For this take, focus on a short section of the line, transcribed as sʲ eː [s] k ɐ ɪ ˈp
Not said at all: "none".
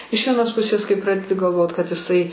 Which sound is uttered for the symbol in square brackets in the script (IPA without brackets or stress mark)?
s